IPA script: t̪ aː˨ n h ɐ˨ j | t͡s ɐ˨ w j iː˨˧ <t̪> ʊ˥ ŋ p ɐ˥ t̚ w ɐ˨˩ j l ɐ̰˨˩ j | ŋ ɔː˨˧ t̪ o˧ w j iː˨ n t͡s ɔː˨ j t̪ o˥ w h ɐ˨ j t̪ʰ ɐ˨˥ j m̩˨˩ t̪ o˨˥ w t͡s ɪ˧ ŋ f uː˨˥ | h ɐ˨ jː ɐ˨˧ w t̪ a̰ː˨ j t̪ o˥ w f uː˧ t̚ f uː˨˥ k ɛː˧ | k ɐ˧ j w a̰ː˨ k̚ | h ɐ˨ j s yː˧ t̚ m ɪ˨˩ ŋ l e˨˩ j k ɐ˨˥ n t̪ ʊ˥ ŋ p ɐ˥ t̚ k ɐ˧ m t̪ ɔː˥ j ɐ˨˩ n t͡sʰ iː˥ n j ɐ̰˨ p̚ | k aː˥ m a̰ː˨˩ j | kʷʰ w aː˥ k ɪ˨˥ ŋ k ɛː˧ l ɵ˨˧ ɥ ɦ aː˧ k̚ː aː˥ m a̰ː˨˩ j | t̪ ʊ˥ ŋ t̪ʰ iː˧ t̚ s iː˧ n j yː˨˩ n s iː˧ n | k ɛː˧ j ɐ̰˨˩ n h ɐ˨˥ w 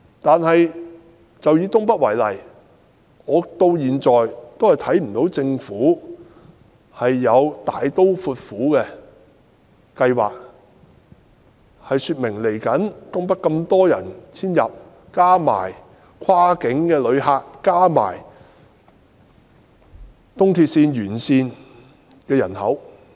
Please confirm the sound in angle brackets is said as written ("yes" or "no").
yes